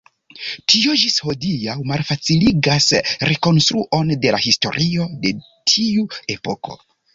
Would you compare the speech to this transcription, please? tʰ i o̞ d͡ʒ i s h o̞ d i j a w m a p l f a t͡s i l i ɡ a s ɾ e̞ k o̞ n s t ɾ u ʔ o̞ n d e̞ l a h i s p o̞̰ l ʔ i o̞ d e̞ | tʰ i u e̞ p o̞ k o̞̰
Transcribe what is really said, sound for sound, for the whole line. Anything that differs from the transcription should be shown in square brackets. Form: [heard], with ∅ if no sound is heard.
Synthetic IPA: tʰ i o̞ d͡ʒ i s h o̞ d i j a w m a [∅] l f a t͡s i l i ɡ a s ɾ e̞ k o̞ n s t ɾ u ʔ o̞ n d e̞ l a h i s [t] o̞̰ [ɾ] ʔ i o̞ d e̞ | tʰ i u e̞ p o̞ k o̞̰